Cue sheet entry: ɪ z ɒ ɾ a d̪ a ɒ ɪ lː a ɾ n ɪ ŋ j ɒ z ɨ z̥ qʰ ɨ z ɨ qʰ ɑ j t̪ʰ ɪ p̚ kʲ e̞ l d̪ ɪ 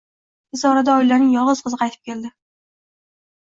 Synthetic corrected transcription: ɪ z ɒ ɾ a d̪ a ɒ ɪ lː a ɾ n ɪ ŋ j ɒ ʁ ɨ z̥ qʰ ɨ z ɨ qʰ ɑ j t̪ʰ ɪ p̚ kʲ e̞ l d̪ ɪ

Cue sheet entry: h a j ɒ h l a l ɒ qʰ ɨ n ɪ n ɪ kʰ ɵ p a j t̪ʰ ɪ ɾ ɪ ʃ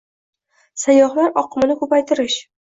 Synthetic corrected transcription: s a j ɒ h l a ɾ ɒ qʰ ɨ m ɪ n ɪ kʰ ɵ p a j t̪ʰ ɪ ɾ ɪ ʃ

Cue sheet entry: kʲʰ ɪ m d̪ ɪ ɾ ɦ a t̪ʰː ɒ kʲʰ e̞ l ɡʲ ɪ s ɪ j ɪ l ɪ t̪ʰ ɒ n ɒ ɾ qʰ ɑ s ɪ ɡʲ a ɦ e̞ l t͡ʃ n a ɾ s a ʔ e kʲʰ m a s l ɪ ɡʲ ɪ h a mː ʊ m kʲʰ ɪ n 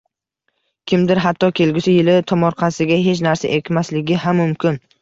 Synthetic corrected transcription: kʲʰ ɪ m d̪ ɪ ɾ ɦ a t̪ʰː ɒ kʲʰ e̞ l ɡʲ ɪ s ɪ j ɪ l ɪ t̪ʰ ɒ m ɒ ɾ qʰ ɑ s ɪ ɡʲ a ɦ e̞ t͡ʃ n a ɾ s a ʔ e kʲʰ m a s l ɪ ɡʲ ɪ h a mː ʊ m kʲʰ ɪ n

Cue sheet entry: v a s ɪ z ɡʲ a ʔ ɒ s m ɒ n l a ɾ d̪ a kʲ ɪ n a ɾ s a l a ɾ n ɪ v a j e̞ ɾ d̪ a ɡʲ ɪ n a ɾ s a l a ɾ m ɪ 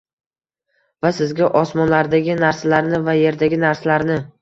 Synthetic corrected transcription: v a s ɪ z ɡʲ a ʔ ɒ s m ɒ n l a ɾ d̪ a ɡʲ ɪ n a ɾ s a l a ɾ n ɪ v a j e̞ ɾ d̪ a ɡʲ ɪ n a ɾ s a l a ɾ n ɪ

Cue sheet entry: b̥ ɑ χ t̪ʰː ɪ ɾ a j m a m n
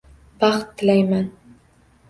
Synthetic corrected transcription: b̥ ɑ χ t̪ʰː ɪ l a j m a n

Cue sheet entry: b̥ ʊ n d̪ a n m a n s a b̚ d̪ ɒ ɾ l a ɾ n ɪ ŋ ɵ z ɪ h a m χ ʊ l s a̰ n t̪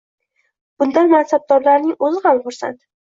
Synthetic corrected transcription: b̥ ʊ n d̪ a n m a n s a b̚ d̪ ɒ ɾ l a ɾ n ɪ ŋ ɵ z ɪ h a m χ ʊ ɾ s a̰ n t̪

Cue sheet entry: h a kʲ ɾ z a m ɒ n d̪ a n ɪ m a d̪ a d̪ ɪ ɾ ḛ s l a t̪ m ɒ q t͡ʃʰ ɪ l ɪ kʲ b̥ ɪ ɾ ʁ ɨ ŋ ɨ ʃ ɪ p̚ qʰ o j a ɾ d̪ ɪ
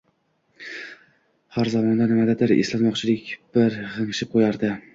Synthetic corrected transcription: h a ɾ z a m ɒ n d̪ a n ɪ m a d̪ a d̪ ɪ ɾ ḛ s l a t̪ m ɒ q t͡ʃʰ ɪ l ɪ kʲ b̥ ɪ ɾ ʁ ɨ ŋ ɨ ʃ ɪ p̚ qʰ o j a ɾ d̪ ɪ

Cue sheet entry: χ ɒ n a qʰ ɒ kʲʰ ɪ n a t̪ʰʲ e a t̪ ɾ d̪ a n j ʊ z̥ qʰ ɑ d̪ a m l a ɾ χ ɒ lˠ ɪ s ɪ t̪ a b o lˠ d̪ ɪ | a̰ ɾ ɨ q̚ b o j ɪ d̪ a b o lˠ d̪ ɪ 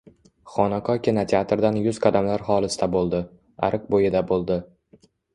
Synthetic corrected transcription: χ ɒ n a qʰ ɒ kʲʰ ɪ n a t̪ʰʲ e a t̪ ɾ d̪ a n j ʊ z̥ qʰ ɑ d̪ a m l a ɾ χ ɒ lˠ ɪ s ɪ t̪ a b o lˠ d̪ ɪ | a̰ ɾ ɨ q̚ b o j ɪ d̪ a b o lˠ d̪ ɪ

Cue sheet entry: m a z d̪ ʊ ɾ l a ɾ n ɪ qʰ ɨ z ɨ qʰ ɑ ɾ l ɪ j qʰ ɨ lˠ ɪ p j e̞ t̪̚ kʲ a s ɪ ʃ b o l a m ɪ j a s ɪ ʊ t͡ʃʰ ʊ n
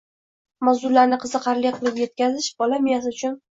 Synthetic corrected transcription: m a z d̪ ʊ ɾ l a ɾ n ɪ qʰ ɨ z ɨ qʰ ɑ ɾ l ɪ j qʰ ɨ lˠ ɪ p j e̞ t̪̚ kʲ a z ɪ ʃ b ɒ l a m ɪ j a s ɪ ʊ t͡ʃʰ ʊ n

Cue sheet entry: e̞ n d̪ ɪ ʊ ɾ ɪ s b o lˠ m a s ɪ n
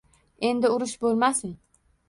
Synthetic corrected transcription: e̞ n d̪ ɪ ʊ ɾ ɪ ʃ b o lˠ m a s ɪ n

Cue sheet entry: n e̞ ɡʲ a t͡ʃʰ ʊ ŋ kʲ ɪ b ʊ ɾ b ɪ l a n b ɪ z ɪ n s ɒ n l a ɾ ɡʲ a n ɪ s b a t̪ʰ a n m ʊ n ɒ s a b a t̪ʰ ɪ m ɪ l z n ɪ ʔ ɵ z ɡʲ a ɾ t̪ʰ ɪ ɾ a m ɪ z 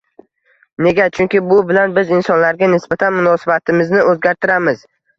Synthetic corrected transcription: n e̞ ɡʲ a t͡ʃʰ ʊ ŋ kʲ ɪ b ʊ b ɪ l a n b ɪ z ɪ n s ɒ n l a ɾ ɡʲ a n ɪ s b a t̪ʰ a n m ʊ n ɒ s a b a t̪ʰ ɪ m ɪ z n ɪ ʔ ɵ z ɡʲ a ɾ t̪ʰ ɪ ɾ a m ɪ z

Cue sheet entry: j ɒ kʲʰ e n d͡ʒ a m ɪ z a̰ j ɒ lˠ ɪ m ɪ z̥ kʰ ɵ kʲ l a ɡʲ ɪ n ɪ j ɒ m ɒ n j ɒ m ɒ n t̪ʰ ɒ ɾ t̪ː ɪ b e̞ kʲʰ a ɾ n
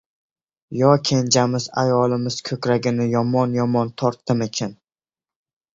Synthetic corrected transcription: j ɒ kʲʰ e n d͡ʒ a m ɪ z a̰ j ɒ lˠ ɪ m ɪ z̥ kʰ ɵ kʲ ɾ a ɡʲ ɪ n ɪ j ɒ m ɒ n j ɒ m ɒ n t̪ʰ ɒ ɾ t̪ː ɪ m e̞ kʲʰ a n

